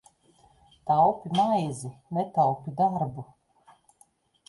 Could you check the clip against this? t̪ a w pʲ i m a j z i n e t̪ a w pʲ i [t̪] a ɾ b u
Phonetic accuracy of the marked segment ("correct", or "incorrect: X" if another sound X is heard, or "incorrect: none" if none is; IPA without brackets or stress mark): incorrect: d̪